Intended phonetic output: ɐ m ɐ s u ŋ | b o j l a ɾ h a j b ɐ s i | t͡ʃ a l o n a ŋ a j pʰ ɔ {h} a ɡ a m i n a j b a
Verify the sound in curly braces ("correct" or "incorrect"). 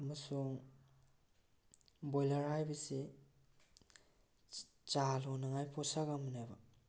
incorrect